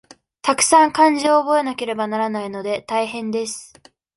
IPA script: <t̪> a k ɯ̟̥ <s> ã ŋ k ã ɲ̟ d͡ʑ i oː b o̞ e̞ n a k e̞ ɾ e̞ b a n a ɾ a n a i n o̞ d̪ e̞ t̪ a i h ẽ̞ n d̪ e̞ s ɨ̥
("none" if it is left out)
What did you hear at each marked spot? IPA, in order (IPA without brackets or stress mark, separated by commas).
t̪, s